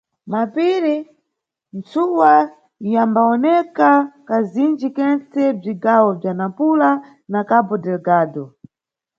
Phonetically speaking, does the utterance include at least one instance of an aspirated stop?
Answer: no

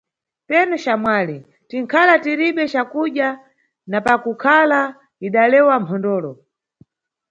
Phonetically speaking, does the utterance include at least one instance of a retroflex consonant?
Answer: no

